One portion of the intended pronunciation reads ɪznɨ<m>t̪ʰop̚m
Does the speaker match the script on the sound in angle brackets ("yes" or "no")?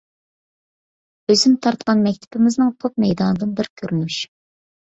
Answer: no